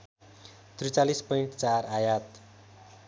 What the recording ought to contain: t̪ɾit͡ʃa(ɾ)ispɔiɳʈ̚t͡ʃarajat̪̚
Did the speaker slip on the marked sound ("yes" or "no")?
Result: yes